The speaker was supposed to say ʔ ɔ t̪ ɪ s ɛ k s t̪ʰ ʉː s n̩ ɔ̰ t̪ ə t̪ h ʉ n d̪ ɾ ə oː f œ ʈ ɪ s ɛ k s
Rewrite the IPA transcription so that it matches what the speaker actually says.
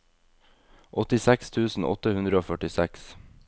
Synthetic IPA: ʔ ɔ t̪ ɪ s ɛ k s t̪ʰ ʉː s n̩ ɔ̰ t̪ ə h ʉ n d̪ ɾ ə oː f œ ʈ ɪ s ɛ k s